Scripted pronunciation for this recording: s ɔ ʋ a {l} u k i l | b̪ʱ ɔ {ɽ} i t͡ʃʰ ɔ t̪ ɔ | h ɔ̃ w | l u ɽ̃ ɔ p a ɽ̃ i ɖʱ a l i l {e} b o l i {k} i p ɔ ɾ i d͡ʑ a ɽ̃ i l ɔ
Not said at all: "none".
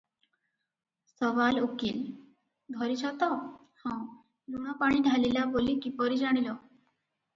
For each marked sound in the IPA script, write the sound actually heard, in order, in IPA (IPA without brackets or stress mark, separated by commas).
l, ɾ, a, k